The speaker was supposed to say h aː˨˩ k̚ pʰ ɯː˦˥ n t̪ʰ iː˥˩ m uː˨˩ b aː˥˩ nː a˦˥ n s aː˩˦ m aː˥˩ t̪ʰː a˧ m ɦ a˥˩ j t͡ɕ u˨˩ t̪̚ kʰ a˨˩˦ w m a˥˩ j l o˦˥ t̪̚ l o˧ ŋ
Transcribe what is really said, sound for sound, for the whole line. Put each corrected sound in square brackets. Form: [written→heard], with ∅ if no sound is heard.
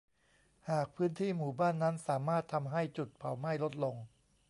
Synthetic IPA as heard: h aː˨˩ k̚ pʰ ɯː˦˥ n t̪ʰ iː˥˩ m uː˨˩ b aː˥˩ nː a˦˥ n s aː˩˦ m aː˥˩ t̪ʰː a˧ m ɦ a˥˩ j t͡ɕ u˨˩ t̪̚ [kʰ→pʰ] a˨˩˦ w m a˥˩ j l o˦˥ t̪̚ l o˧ ŋ